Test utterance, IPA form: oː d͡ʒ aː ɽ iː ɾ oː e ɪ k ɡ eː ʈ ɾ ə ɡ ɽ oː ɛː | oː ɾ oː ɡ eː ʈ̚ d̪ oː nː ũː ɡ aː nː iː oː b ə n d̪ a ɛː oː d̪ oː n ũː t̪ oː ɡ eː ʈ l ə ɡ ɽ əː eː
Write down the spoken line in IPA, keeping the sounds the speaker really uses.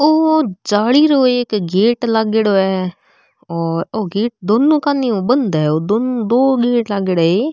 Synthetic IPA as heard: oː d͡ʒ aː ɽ iː ɾ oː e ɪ k ɡ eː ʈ l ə ɡ ɽ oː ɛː | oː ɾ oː ɡ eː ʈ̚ d̪ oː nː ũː k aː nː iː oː b ə n d̪ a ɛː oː d̪ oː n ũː d̪ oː ɡ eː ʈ l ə ɡ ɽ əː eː